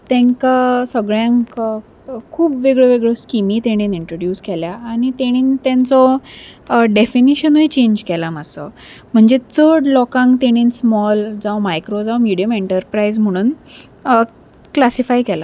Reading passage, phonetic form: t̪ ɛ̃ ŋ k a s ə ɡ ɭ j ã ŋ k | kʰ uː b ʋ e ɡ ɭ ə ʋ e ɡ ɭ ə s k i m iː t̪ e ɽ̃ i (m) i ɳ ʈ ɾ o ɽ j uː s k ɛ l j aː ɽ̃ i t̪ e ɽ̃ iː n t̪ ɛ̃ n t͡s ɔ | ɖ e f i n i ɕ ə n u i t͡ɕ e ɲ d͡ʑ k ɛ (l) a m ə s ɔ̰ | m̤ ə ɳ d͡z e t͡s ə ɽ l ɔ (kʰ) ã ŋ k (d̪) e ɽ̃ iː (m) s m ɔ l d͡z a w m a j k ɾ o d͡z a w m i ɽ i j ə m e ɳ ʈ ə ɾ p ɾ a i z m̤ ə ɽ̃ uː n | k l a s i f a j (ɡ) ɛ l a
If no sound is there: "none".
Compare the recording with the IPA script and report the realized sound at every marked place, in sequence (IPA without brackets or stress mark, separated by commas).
n, l, k, t̪, n, k